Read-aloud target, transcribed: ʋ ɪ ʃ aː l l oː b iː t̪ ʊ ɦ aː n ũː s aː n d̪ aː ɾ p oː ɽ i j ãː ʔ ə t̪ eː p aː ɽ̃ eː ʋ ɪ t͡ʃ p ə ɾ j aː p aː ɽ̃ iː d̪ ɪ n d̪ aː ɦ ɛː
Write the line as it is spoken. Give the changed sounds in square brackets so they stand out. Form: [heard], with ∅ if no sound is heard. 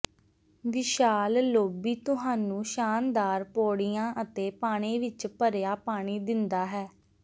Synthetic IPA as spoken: ʋ ɪ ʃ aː l l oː b iː t̪ ʊ ɦ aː n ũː [ʃ] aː n d̪ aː ɾ p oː ɽ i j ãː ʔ ə t̪ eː p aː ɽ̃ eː ʋ ɪ t͡ʃ p ə ɾ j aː p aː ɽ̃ iː d̪ ɪ n d̪ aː ɦ ɛː